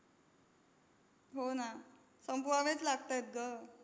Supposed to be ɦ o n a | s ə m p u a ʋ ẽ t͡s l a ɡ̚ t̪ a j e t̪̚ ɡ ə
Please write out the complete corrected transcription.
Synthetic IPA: ɦ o n a | s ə m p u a ʋ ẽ t͡s l a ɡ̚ t̪ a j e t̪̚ ɡ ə

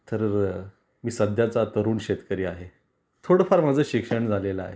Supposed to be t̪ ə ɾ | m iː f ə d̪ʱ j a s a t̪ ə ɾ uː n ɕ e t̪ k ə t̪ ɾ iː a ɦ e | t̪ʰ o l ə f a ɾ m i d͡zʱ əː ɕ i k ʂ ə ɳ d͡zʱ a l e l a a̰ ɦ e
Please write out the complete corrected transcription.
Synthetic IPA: t̪ ə ɾ | m iː s ə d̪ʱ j a t͡s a t̪ ə ɾ uː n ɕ e t̪ k ə ɾ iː a ɦ e | t̪ʰ o ɽ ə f a ɾ m a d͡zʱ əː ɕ i k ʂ ə ɳ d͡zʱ a l e l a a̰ ɦ e

